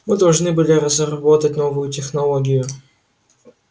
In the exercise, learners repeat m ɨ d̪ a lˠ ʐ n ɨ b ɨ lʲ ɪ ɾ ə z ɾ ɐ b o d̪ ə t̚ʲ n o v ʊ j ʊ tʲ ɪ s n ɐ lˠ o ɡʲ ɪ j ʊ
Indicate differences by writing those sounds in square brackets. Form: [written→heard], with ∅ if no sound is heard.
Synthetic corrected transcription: m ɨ d̪ [a→ɐ] lˠ ʐ n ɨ b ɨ lʲ ɪ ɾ ə z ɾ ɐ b o [d̪→t̪] ə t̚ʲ n o v ʊ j ʊ tʲ ɪ [s→x] n ɐ lˠ o ɡʲ ɪ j ʊ

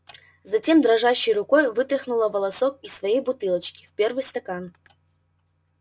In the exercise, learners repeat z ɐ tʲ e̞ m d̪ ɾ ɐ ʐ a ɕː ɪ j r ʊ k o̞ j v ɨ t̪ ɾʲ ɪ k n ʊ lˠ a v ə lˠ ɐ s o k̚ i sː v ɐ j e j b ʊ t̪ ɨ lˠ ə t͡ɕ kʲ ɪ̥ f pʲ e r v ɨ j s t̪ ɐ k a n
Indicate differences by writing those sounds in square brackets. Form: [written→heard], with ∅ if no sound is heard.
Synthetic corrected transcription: z ɐ tʲ e̞ m d̪ ɾ ɐ ʐ a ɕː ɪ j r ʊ k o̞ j v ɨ t̪ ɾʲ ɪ [k→x] n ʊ lˠ [a→ə] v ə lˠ ɐ s o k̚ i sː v ɐ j e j b ʊ t̪ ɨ lˠ ə t͡ɕ kʲ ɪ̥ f pʲ e r v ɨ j s t̪ ɐ k a n

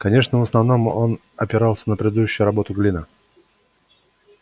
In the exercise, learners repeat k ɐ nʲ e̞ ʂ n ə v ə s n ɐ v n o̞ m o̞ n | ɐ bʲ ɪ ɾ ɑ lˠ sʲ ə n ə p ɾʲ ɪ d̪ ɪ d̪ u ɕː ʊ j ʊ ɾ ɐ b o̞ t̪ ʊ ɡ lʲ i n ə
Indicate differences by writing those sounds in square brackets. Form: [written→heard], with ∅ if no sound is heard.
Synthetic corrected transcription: k ɐ nʲ e̞ ʂ n ə v ə s n ɐ v n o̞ m o̞ n | ɐ [bʲ→pʲ] ɪ ɾ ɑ lˠ sʲ ə n ə p ɾʲ ɪ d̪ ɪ d̪ u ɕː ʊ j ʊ ɾ ɐ b o̞ t̪ ʊ ɡ lʲ i n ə

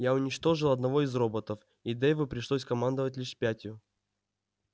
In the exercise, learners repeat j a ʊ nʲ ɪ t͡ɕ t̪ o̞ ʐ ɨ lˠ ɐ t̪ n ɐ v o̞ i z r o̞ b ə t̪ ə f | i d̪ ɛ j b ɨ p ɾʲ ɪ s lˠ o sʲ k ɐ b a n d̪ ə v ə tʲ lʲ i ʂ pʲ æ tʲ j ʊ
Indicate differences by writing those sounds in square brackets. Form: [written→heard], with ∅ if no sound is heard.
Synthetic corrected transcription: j a ʊ nʲ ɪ t͡ɕ t̪ o̞ ʐ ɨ lˠ ɐ [t̪→d̪] n ɐ v o̞ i z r o̞ b ə t̪ ə f | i d̪ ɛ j [b→v] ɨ p ɾʲ ɪ [s→ʂ] lˠ o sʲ k ɐ [b→m] a n d̪ ə v ə tʲ lʲ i ʂ pʲ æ tʲ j ʊ

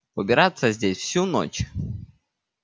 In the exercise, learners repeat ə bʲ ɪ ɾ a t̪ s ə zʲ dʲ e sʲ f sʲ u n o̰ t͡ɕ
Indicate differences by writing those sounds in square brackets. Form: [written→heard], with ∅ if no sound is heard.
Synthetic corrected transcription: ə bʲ ɪ ɾ a t̪ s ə zʲ dʲ e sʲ f sʲ u n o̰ t͡ɕ

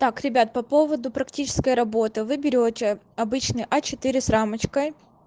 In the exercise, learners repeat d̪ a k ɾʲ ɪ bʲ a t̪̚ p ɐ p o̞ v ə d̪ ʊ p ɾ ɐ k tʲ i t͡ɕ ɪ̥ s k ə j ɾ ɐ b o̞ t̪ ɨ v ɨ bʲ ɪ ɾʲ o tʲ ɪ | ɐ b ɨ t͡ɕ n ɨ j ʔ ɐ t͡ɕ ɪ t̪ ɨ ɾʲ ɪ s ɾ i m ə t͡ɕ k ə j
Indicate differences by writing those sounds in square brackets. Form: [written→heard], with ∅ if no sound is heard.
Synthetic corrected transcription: [d̪→t̪] a k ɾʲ ɪ bʲ a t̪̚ p ɐ p o̞ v ə d̪ ʊ p ɾ ɐ k tʲ i t͡ɕ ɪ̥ s k ə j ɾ ɐ b o̞ t̪ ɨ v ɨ bʲ ɪ ɾʲ o tʲ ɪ | ɐ b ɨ t͡ɕ n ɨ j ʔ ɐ t͡ɕ ɪ t̪ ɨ ɾʲ ɪ s ɾ [i→a] m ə t͡ɕ k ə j

